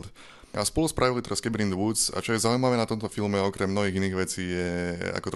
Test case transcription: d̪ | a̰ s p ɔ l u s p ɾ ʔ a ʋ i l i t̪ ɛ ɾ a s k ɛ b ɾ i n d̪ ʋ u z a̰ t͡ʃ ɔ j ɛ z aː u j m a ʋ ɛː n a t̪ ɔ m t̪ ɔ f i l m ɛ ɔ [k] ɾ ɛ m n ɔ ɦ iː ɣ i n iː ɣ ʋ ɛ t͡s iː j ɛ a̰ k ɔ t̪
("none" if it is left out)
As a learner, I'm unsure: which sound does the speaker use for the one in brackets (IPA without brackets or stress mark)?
k